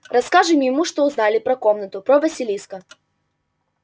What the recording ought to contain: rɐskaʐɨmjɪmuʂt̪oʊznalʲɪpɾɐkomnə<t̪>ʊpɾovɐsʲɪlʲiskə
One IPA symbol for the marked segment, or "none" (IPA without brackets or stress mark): t̪